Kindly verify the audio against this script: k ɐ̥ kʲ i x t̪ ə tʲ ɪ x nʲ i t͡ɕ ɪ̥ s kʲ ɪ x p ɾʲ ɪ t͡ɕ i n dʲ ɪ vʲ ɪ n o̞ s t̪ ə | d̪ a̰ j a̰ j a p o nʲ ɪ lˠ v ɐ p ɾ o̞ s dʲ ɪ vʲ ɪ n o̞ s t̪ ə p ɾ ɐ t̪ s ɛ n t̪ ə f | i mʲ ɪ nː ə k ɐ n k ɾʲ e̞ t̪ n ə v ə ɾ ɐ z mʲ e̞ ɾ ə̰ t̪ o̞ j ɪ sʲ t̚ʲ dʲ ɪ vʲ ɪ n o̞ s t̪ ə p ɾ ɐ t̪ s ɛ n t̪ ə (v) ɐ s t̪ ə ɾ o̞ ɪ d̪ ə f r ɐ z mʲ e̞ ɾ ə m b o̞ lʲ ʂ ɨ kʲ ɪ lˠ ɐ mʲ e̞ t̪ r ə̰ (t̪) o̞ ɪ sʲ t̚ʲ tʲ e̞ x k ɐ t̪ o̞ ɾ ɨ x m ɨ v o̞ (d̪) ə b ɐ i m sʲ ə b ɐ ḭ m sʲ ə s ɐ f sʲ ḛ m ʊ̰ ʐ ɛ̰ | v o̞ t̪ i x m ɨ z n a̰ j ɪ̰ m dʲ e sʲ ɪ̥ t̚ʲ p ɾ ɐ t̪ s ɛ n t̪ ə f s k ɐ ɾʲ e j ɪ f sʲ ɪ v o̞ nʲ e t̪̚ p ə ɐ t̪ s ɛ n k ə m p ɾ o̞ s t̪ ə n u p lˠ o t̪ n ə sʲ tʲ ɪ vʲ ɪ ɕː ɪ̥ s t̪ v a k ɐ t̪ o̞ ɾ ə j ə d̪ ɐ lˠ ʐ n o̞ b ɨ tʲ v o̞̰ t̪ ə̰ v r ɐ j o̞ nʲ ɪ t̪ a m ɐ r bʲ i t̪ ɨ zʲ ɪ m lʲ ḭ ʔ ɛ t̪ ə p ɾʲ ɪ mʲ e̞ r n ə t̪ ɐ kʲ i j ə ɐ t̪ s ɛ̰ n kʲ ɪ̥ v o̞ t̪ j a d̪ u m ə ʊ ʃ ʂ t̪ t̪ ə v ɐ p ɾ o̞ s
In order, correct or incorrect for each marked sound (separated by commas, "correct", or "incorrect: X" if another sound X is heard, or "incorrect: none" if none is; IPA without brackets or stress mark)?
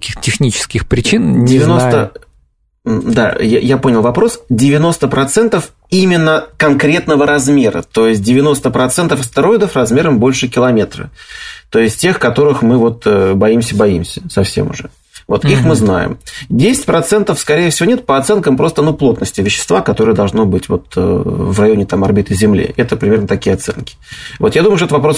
incorrect: f, correct, incorrect: t̪